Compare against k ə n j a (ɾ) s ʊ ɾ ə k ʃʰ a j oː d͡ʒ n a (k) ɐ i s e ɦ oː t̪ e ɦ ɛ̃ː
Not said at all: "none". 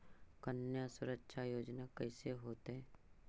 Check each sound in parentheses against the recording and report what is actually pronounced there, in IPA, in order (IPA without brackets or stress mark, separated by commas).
none, k